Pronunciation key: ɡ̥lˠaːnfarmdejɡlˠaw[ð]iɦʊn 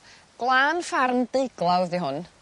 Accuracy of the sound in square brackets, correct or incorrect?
correct